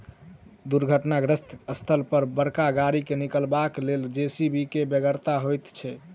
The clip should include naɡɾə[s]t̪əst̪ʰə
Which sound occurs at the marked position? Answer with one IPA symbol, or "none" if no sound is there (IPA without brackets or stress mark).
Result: s